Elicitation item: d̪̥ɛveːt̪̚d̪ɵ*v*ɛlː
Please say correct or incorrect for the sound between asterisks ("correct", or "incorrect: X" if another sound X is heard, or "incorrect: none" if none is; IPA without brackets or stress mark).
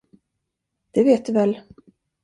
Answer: correct